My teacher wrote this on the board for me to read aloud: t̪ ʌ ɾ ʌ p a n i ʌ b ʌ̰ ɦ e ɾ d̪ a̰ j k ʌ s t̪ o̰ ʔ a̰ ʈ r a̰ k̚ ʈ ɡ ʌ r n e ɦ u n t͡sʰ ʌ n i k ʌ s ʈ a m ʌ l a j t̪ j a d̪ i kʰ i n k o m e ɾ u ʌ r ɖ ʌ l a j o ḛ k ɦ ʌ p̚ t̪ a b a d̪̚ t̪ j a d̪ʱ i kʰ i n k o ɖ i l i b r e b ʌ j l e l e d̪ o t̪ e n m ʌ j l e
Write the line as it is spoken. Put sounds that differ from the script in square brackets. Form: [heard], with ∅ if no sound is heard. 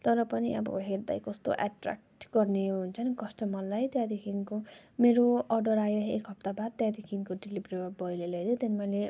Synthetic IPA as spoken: t̪ ʌ ɾ ʌ p [ʌ] n i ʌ b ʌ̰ ɦ e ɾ d̪ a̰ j k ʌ s t̪ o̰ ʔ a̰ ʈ r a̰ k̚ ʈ ɡ ʌ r n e ɦ u n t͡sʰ ʌ n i k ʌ s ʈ [ʌ] m ʌ l a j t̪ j a d̪ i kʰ i n k o m e ɾ [o] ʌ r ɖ ʌ [ɾ] a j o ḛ k ɦ ʌ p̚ t̪ a b a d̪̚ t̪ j a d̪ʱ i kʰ i n k o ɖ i l i b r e b ʌ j l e l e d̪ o t̪ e n m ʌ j l e